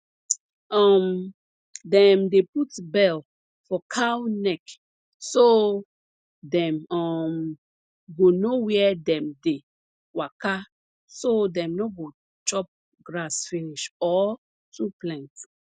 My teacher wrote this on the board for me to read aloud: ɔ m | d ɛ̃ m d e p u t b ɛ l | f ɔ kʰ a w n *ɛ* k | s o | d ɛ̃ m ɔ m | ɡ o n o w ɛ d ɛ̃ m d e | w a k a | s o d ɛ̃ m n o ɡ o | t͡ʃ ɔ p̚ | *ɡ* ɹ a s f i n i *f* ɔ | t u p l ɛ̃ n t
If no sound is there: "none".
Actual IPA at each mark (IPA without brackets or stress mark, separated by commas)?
ɛ, ɡ, ʃ